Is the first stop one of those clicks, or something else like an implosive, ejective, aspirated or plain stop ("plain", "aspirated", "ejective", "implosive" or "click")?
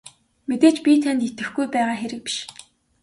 plain